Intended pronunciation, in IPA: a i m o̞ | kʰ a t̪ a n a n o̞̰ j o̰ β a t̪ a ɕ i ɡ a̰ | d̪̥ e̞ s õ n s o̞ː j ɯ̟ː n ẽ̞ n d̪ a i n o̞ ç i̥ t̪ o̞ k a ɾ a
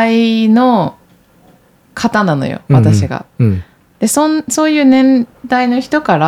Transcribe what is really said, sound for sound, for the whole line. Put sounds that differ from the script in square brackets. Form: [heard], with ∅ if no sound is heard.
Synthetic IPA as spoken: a i [n] o̞ | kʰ a t̪ a n a n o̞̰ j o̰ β a t̪ a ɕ i ɡ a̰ | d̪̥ e̞ s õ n s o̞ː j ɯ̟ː n ẽ̞ n d̪ a i n o̞ ç i̥ t̪ o̞ k a ɾ a